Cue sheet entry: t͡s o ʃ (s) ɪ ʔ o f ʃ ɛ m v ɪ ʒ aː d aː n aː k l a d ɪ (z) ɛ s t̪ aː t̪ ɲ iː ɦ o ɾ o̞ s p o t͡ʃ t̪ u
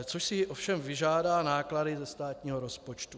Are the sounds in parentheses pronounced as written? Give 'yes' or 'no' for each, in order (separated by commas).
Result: yes, yes